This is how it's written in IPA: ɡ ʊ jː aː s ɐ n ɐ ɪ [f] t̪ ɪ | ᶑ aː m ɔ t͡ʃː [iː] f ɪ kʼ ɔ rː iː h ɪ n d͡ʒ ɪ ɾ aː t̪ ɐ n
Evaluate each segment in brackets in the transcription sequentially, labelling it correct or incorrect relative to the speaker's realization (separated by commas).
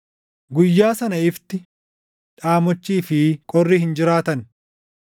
correct, correct